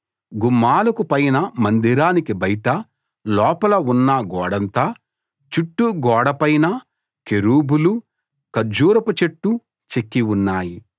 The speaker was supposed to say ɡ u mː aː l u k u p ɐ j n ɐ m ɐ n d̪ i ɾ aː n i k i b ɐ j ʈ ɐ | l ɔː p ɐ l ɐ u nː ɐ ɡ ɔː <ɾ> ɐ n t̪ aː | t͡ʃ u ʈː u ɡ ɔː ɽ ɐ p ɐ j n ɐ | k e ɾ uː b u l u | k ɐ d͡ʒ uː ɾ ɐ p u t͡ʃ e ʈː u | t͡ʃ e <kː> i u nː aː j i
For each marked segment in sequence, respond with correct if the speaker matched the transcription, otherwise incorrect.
incorrect: ɽ, correct

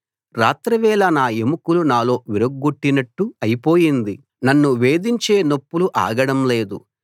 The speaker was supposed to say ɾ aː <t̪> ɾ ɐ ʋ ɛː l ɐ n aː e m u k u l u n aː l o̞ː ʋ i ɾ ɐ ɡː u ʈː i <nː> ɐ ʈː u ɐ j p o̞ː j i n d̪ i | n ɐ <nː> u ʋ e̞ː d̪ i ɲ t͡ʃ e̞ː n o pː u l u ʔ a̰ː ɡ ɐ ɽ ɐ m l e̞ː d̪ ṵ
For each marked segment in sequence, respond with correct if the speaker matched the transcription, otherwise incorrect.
correct, incorrect: n, correct

